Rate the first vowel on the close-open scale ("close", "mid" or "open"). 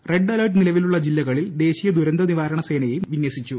mid